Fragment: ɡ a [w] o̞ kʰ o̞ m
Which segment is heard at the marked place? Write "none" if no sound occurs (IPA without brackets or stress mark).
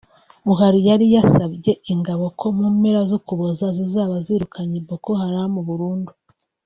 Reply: β